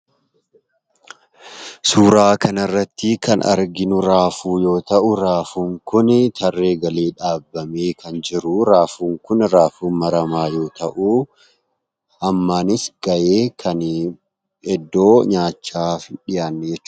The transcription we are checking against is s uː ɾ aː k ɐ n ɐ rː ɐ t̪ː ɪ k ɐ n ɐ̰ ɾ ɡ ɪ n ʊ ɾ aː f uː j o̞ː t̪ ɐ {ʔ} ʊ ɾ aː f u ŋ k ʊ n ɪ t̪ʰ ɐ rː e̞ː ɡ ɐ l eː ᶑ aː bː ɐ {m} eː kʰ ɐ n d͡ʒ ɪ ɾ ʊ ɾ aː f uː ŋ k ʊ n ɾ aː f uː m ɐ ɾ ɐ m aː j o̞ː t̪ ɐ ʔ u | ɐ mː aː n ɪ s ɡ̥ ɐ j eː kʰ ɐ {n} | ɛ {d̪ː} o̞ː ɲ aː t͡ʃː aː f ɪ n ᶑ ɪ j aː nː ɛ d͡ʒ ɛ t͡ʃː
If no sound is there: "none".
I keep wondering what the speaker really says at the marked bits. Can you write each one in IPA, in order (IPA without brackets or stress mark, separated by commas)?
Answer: ʔ, m, n, d̪ː